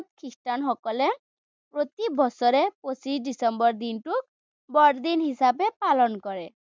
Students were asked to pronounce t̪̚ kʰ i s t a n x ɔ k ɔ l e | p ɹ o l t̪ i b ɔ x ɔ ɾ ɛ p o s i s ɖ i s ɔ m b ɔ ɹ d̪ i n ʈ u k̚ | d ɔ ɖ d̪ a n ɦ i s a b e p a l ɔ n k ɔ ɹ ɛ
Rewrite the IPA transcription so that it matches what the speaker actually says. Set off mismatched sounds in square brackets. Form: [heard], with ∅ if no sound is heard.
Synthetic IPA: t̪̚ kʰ i s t a n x ɔ k ɔ l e | p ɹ o [∅] t̪ i b ɔ [s] ɔ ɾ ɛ p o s i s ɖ i s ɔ m b ɔ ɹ d̪ i n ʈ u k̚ | [b] ɔ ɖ d̪ [i] n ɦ i s a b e p a l ɔ n k ɔ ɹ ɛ